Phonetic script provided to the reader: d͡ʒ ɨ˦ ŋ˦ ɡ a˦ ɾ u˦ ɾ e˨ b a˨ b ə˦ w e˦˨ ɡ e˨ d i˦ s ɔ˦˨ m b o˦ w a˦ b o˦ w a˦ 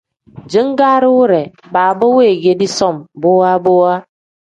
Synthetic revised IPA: d͡ʒ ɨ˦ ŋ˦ ɡ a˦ ɾ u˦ ɾ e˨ b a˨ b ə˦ w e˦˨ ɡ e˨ d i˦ s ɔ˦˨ m b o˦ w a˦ b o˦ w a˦